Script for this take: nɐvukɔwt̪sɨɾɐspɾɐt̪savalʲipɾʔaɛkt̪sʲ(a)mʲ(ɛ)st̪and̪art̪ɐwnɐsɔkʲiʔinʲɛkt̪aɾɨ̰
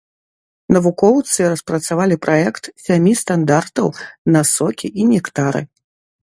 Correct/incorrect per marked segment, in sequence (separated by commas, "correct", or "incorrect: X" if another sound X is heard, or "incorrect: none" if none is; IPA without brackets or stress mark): correct, incorrect: i